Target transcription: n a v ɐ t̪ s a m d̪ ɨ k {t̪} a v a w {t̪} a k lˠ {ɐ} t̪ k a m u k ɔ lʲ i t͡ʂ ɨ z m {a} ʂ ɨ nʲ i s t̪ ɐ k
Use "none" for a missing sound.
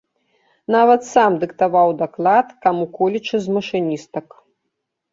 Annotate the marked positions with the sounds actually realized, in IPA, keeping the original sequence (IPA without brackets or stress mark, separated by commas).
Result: t̪, d̪, a, ɐ